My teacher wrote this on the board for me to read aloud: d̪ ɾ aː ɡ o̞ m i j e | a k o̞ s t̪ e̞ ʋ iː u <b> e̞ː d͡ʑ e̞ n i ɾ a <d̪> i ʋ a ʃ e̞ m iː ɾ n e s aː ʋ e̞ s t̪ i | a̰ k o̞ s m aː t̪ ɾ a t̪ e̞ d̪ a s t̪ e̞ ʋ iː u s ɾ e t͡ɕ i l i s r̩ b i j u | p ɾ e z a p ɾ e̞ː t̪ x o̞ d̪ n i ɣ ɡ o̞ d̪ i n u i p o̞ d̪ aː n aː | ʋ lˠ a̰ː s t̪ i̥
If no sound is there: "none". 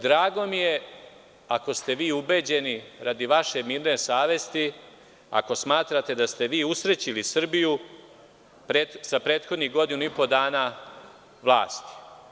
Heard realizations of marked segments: b, d̪

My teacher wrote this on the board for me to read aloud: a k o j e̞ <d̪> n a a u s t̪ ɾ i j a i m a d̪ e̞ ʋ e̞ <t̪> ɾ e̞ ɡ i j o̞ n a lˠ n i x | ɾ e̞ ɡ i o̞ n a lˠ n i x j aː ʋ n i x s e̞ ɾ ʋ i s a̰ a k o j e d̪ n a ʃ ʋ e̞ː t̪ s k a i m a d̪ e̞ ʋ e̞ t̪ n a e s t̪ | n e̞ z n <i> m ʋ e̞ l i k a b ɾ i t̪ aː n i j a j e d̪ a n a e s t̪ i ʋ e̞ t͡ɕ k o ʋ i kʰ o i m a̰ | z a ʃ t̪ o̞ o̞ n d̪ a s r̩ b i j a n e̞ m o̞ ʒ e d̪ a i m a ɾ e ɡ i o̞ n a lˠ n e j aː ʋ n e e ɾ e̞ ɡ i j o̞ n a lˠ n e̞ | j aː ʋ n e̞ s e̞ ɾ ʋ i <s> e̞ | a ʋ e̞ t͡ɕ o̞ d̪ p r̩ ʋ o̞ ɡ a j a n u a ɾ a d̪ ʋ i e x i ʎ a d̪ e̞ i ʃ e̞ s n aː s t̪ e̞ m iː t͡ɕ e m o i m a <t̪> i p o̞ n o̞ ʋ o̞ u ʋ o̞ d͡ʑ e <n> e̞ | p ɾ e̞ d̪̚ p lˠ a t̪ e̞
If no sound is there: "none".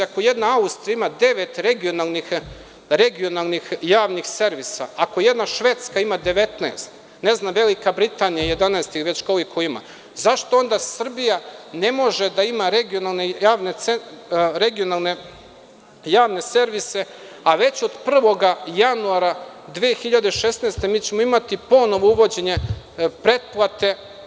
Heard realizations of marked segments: d̪, t̪, a, s, t̪, ɲ

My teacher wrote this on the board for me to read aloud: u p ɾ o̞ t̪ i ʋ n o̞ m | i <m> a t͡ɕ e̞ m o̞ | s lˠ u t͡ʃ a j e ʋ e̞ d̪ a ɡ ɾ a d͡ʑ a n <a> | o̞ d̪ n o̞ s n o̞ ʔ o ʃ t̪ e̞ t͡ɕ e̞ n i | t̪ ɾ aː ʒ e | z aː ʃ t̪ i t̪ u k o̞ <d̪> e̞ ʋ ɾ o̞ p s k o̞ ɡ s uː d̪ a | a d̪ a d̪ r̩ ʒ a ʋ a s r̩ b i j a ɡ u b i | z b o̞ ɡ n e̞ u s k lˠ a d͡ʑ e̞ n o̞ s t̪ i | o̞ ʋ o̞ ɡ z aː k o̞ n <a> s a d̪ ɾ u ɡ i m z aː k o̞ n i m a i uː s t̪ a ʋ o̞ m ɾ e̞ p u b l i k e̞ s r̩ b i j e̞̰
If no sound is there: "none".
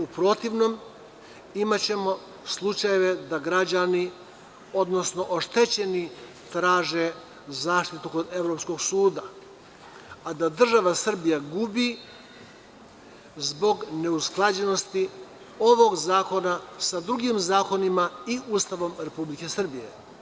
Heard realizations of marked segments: m, i, d̪, a

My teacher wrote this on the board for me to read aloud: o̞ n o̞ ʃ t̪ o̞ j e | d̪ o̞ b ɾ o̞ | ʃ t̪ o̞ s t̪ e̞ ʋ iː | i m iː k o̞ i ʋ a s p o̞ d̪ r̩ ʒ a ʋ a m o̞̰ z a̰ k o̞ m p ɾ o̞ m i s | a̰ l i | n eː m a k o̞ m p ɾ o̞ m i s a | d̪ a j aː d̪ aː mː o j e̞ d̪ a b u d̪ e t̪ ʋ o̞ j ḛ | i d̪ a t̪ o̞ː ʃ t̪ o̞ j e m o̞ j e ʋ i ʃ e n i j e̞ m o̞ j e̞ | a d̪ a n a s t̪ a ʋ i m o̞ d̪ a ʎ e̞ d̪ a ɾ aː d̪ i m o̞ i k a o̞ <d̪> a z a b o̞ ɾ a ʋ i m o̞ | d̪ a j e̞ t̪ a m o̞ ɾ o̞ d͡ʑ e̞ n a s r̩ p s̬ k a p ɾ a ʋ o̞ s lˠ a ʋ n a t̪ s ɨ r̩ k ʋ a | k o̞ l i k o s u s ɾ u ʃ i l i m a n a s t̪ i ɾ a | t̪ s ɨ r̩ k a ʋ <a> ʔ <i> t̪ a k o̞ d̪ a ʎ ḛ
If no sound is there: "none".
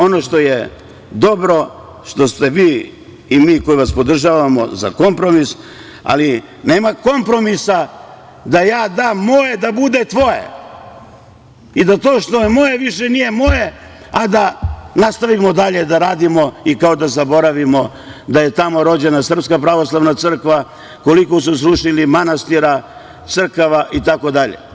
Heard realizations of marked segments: d̪, a, i

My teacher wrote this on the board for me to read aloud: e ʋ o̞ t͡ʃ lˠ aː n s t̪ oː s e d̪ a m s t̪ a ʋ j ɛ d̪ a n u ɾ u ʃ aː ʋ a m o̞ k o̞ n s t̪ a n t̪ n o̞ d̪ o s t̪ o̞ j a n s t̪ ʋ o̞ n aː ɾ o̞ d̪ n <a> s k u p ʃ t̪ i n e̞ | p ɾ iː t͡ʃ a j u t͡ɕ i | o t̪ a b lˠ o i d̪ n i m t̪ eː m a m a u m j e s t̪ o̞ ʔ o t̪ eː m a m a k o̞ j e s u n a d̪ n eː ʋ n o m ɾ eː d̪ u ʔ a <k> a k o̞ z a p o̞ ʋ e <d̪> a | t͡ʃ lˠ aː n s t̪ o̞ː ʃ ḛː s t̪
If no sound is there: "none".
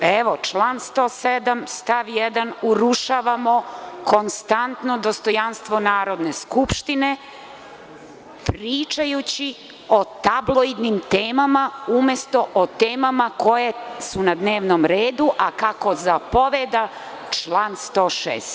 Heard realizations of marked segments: e, k, d̪

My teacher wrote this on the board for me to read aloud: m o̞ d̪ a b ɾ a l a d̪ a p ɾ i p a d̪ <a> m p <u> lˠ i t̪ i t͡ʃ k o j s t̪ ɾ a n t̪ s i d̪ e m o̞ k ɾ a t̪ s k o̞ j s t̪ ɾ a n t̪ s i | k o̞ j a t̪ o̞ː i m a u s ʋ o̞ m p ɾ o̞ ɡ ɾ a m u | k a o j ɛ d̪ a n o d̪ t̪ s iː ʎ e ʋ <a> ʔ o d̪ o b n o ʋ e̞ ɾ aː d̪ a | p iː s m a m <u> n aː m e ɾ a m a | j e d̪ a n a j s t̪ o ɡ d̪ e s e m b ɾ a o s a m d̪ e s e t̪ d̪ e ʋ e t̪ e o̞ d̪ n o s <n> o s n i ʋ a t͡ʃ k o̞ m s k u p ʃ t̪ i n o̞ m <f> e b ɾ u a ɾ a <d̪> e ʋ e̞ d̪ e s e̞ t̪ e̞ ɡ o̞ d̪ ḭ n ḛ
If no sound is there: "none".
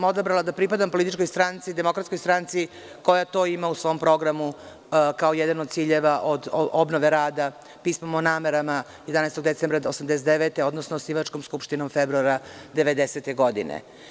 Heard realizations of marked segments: a, o, a, o, n, f, d̪

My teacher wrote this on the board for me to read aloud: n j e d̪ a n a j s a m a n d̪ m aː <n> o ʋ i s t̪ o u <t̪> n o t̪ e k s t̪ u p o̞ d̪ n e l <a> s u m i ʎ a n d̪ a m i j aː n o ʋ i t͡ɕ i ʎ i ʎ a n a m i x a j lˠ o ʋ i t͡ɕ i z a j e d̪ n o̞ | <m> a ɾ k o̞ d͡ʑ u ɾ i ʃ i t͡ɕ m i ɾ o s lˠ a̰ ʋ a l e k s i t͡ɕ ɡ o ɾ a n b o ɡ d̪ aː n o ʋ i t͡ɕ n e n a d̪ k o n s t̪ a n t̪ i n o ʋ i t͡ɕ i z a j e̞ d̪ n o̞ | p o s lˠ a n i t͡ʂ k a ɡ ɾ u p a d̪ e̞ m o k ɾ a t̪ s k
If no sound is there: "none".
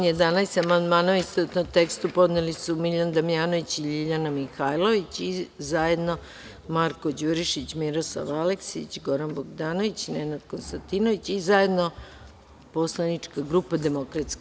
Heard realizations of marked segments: n, t̪, i, m

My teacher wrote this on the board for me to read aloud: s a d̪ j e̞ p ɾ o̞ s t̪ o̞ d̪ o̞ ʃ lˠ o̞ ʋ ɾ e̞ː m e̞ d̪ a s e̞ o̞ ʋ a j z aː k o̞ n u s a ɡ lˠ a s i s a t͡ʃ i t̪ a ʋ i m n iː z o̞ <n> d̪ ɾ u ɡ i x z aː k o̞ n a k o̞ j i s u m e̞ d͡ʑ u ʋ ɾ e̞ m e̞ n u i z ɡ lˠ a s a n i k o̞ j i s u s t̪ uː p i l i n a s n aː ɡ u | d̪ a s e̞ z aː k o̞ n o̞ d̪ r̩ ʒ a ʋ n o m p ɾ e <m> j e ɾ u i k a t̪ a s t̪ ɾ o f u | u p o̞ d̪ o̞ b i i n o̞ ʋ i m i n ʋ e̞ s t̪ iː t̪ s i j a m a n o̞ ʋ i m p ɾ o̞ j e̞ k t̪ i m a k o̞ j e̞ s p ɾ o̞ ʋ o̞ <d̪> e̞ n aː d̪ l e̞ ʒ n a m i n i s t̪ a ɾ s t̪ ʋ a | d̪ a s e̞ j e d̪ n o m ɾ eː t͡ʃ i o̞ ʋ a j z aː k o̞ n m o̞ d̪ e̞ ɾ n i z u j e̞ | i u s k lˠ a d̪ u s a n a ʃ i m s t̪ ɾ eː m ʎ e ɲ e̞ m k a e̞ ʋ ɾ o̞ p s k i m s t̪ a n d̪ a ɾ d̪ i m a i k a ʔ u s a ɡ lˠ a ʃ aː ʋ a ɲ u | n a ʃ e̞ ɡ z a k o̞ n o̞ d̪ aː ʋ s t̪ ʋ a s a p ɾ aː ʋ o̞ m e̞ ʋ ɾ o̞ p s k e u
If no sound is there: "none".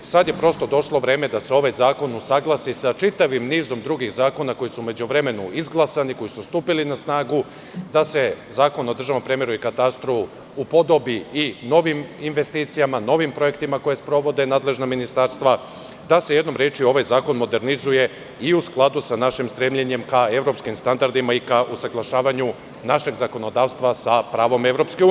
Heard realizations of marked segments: m, m, d̪

